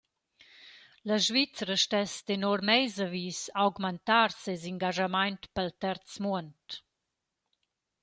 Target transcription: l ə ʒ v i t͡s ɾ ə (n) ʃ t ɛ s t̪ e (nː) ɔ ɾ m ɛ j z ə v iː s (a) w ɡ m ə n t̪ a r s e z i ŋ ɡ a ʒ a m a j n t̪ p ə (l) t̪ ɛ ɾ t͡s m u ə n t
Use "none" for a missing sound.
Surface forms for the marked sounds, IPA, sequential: none, n, a, l

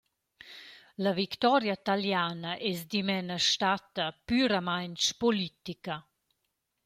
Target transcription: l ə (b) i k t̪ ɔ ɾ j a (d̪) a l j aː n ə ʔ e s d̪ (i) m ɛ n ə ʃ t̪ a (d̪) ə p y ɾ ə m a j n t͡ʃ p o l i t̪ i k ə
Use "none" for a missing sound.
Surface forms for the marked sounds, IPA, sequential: v, t̪, i, t̪

